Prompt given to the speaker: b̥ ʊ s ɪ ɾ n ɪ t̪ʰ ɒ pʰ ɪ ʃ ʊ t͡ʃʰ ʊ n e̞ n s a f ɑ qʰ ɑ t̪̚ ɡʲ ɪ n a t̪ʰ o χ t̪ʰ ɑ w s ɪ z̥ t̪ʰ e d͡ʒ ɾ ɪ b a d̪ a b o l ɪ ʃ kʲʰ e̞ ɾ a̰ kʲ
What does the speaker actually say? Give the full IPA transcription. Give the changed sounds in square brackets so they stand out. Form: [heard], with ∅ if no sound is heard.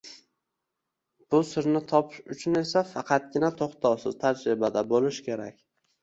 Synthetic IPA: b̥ ʊ s ɪ ɾ n ɪ t̪ʰ ɒ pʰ ɪ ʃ ʊ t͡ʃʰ ʊ n e̞ [∅] s a f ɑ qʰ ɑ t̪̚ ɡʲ ɪ n a t̪ʰ o χ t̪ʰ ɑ w s ɪ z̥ t̪ʰ [a] d͡ʒ ɾ ɪ b a d̪ a b o l ɪ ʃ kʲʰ e̞ ɾ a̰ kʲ